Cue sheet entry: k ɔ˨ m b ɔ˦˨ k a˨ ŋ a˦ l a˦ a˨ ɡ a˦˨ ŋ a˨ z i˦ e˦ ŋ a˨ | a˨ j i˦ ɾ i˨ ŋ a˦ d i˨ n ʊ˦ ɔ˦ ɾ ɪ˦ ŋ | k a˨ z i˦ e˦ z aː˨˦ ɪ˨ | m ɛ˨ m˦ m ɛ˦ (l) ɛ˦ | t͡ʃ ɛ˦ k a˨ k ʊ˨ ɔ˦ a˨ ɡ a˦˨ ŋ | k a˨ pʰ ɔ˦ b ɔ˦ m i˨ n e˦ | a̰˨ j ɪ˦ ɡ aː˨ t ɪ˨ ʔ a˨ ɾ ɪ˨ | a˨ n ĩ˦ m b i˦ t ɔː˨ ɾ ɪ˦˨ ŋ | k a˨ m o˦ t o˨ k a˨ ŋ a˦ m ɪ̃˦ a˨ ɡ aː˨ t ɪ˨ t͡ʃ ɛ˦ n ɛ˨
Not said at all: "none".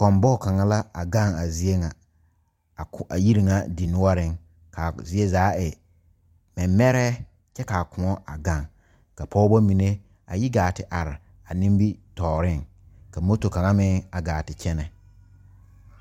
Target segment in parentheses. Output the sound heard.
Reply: ɾ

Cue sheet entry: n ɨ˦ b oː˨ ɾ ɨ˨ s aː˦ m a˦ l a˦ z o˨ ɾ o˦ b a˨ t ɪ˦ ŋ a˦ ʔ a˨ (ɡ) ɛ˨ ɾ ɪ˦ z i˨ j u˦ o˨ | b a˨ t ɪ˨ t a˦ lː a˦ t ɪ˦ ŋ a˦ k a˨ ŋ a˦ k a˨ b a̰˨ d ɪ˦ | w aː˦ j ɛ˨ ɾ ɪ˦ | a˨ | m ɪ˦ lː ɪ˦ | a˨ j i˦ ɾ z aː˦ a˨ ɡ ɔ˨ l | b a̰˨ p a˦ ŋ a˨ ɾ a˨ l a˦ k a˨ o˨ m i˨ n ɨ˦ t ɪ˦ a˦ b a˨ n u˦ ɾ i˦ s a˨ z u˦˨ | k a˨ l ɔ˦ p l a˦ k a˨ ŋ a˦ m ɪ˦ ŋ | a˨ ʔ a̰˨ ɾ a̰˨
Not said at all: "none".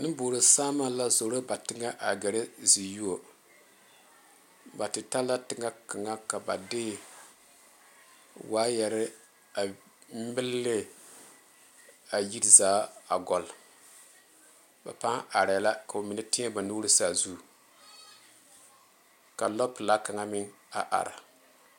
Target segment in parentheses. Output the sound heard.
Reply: ɡ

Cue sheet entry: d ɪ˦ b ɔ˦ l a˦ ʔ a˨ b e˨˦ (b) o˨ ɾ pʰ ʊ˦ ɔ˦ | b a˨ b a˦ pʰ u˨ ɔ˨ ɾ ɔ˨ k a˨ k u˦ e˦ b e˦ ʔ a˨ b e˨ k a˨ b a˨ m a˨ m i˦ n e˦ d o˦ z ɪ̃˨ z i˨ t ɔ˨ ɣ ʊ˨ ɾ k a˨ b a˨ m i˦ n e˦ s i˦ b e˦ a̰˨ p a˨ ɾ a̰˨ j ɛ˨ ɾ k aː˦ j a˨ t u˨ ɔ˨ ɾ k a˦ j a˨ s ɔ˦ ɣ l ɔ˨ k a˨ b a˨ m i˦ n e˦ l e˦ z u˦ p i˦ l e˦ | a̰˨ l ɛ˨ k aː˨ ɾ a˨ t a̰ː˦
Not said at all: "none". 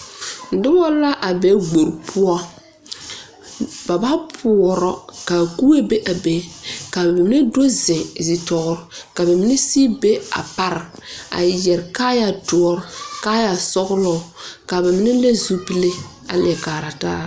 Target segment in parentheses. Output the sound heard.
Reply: ɡ͡b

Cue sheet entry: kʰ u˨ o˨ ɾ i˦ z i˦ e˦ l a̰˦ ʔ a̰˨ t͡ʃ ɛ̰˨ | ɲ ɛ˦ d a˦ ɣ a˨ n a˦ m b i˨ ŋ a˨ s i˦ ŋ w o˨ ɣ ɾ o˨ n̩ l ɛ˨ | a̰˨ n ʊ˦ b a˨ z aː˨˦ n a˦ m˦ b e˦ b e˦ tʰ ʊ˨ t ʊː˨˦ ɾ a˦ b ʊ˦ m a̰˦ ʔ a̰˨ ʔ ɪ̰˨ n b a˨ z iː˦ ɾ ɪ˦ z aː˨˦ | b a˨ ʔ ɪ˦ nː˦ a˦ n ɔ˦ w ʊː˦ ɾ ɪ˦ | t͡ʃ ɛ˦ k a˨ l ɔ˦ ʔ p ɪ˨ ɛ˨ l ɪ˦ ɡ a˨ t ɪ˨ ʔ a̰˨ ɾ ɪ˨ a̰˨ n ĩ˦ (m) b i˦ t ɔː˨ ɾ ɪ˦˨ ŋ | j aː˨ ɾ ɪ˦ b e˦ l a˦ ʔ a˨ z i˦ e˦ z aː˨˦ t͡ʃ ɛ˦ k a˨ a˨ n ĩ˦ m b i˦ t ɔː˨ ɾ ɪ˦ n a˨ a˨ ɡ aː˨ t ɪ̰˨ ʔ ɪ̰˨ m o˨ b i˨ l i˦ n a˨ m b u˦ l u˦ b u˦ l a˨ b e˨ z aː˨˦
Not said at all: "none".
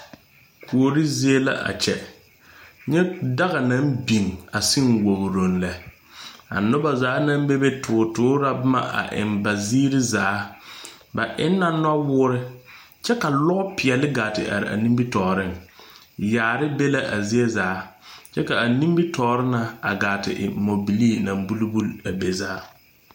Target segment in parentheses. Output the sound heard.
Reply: m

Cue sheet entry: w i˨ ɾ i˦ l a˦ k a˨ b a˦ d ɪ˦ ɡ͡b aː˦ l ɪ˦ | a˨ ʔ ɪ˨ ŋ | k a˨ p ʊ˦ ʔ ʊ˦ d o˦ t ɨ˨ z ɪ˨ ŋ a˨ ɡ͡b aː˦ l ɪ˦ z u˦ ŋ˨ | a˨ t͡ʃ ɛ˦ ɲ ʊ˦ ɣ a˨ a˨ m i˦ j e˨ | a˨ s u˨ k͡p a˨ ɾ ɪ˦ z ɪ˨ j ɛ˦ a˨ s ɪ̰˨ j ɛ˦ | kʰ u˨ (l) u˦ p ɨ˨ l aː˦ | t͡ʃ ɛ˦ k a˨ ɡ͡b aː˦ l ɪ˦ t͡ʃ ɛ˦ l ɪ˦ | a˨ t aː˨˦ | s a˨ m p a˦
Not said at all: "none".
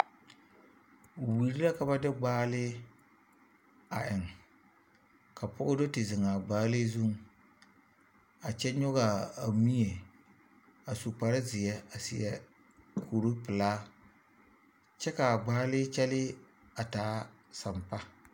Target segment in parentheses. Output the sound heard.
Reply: ɾ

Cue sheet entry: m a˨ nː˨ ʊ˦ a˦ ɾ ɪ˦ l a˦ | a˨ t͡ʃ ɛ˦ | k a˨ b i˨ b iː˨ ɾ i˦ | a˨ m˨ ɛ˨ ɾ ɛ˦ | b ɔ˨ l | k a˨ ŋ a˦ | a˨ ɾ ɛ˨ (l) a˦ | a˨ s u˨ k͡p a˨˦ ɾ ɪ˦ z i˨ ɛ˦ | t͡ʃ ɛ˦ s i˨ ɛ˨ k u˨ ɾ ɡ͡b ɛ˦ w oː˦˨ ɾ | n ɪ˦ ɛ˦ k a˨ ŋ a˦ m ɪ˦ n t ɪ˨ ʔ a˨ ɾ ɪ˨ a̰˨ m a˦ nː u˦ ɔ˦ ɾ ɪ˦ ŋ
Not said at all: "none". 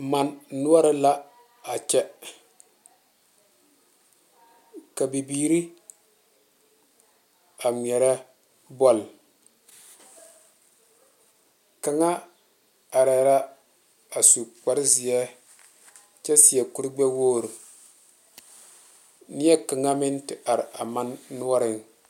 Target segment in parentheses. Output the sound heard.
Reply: ɾ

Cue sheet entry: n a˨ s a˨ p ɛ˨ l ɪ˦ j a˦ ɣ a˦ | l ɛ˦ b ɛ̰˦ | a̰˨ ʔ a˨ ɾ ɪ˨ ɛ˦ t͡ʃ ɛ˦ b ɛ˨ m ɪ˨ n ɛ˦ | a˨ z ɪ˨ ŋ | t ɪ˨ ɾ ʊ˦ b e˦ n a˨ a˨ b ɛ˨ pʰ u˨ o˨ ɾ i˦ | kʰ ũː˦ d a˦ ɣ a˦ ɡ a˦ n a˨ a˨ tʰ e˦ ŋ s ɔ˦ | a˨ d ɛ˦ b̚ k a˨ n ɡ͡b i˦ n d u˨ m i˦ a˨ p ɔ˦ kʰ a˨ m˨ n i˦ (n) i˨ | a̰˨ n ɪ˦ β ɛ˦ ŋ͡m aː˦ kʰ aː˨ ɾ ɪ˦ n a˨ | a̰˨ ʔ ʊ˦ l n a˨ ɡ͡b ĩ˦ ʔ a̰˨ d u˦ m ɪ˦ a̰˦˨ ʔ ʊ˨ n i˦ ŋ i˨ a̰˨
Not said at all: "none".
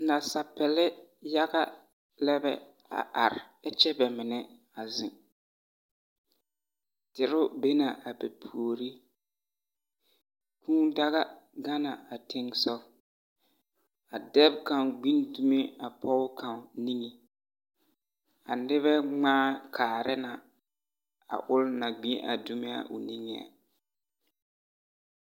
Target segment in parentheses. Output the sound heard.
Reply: ŋ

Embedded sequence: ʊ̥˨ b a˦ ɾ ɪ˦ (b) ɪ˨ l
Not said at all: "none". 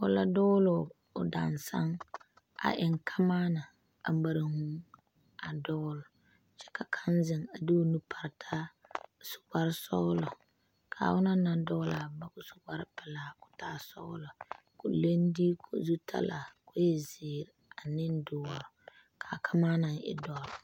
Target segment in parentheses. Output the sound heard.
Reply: p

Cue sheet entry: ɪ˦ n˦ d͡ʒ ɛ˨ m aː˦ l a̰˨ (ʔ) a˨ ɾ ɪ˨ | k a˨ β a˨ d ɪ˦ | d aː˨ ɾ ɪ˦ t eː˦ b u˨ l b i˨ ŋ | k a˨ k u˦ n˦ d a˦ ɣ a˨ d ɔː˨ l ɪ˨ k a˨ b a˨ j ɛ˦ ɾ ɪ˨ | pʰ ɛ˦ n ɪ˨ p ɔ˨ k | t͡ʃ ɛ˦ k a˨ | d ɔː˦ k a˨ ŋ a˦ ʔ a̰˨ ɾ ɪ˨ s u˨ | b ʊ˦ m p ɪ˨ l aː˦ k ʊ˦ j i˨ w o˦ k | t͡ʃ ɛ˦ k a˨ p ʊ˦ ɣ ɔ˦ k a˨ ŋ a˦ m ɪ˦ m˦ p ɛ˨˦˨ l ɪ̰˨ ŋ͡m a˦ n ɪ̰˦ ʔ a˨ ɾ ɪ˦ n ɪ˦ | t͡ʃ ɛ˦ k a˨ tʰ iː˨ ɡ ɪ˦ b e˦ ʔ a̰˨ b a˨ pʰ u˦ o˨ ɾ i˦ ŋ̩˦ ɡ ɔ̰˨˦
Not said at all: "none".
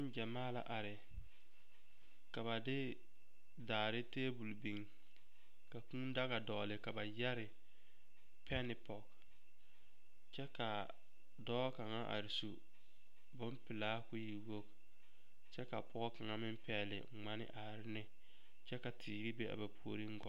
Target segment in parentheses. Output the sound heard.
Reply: ʔ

